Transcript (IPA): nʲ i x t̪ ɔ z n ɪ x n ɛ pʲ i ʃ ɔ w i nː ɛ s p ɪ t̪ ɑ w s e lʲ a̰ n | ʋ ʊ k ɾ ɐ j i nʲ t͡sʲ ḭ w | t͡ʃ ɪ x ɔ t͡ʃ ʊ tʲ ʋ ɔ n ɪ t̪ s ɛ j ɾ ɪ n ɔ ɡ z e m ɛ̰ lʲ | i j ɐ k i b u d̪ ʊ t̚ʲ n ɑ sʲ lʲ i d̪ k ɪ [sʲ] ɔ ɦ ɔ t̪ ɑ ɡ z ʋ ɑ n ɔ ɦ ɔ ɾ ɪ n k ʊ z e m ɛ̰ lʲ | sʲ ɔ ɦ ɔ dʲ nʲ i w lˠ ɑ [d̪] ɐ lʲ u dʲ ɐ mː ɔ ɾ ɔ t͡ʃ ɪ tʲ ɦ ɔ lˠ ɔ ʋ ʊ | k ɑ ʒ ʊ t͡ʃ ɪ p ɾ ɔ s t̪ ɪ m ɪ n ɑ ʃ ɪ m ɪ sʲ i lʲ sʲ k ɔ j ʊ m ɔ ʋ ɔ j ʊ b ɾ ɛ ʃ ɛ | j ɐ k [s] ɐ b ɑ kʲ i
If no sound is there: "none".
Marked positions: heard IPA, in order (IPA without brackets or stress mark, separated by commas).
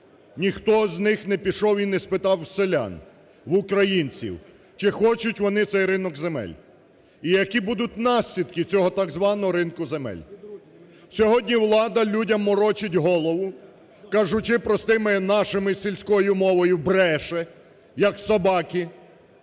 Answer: t͡sʲ, d̪, s